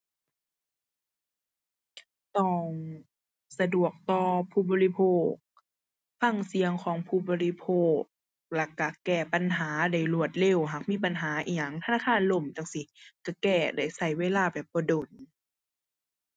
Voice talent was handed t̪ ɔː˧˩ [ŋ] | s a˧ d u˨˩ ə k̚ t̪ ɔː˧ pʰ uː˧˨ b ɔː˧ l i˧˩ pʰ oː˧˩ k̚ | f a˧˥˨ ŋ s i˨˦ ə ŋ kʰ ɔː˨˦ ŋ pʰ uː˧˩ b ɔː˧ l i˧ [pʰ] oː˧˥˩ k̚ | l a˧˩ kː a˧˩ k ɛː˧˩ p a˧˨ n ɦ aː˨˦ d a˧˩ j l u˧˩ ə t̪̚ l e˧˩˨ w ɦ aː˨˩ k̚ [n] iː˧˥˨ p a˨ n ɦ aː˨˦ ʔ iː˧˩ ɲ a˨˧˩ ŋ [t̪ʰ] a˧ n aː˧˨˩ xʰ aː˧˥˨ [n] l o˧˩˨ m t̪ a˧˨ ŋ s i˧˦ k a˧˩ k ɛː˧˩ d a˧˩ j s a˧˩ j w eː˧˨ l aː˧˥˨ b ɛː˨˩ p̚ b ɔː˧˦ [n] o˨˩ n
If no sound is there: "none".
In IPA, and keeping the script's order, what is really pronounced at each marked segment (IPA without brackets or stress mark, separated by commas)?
ŋ, pʰ, m, t̪ʰ, n, d